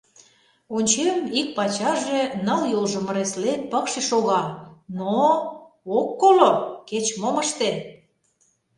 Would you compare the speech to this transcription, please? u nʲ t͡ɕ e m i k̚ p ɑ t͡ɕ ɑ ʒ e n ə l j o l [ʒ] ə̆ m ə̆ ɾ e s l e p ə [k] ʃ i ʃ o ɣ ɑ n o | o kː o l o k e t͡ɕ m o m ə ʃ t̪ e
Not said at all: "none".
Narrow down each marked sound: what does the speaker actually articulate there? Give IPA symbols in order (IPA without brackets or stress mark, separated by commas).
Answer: ʒ, k